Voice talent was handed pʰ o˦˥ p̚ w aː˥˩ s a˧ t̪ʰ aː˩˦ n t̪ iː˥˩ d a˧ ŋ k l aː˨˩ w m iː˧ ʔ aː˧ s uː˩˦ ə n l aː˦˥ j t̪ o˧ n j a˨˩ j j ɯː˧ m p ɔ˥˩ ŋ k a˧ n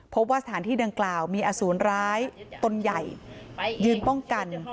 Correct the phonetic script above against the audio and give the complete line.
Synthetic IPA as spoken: pʰ o˦˥ p̚ w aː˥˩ s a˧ t̪ʰ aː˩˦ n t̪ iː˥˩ d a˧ ŋ k l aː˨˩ w m iː˧ ʔ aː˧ s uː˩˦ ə n ɾ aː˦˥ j t̪ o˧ n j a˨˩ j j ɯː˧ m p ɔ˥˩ ŋ k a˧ n